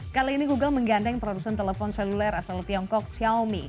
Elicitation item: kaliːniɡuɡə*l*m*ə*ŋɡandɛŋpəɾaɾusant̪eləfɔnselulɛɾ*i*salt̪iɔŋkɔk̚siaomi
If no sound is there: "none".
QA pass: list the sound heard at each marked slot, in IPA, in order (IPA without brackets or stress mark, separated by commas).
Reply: l, ə, a